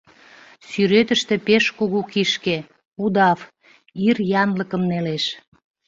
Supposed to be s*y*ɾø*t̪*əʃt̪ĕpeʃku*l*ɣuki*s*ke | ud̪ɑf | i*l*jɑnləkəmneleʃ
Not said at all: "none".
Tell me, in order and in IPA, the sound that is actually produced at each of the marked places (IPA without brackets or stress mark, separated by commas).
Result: y, t̪, none, ʃ, r